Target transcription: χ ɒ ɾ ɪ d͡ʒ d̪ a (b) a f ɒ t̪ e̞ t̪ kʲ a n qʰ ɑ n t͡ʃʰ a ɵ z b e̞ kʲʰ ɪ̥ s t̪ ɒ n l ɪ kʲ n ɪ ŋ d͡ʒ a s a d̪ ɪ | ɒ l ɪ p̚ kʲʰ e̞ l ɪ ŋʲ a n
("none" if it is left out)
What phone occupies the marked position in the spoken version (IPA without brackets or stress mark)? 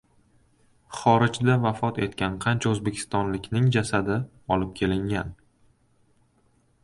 v